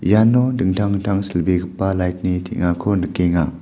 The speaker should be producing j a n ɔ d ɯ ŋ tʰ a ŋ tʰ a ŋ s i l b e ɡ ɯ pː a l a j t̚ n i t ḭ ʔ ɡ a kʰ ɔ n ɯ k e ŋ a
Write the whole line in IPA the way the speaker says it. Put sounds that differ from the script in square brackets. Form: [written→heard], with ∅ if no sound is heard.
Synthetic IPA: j a n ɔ d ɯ ŋ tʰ a ŋ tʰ a ŋ s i l b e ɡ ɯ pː a l a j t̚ n i [t→tʰ] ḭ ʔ [ɡ→ŋ] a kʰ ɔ n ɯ k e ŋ a